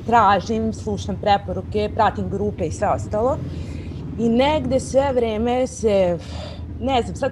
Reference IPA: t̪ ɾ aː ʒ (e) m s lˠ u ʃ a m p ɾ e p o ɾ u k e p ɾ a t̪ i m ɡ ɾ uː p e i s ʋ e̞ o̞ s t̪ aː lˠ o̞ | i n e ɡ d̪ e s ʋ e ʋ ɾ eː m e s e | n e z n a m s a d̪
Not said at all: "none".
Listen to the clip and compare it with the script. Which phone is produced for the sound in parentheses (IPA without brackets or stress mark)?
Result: i